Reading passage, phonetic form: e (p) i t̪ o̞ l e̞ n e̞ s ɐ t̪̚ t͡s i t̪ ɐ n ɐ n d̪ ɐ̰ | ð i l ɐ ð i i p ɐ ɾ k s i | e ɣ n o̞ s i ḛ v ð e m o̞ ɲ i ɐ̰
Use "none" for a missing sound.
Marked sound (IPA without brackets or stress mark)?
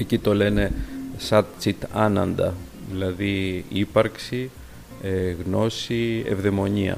c